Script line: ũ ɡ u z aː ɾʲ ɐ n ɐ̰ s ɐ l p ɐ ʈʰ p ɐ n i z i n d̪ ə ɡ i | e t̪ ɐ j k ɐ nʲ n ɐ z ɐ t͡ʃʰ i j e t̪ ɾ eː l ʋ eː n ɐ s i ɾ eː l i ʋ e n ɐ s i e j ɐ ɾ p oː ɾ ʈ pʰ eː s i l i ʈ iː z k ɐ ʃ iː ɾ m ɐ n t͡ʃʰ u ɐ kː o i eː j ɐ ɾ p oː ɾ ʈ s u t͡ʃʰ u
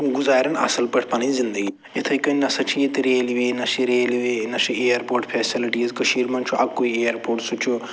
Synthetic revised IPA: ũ ɡ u z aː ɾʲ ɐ n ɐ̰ s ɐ l p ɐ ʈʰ p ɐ n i z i n d̪ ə ɡ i | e t̪ʰ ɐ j k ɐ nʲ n ɐ s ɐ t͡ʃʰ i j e t̪ ɾ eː l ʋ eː n ɐ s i ɾ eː l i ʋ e n ɐ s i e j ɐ ɾ p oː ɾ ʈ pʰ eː s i l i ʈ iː z k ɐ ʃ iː ɾ m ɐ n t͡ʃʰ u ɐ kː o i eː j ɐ ɾ p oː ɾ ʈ s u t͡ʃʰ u